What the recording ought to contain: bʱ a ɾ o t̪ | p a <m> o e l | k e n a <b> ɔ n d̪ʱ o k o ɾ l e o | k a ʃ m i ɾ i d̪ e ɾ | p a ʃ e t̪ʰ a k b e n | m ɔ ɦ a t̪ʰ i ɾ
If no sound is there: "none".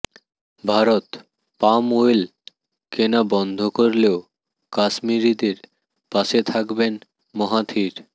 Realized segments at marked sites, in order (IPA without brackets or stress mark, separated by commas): m, b